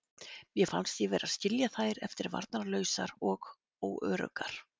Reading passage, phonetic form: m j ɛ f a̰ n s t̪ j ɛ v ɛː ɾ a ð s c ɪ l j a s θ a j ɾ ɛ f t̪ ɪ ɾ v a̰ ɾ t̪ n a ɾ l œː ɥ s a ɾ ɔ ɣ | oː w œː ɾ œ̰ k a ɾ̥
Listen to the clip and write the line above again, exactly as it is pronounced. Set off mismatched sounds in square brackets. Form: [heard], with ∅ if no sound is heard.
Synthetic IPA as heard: m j ɛ f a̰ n s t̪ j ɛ v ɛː ɾ a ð s c ɪ l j a [∅] θ a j ɾ ɛ f t̪ ɪ ɾ v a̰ ɾ t̪ n a ɾ l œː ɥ s a ɾ ɔ ɣ | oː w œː ɾ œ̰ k a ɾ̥